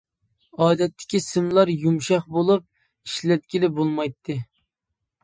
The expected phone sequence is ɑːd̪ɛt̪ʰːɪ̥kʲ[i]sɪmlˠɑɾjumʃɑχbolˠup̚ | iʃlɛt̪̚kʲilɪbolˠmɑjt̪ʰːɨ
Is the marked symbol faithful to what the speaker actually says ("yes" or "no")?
yes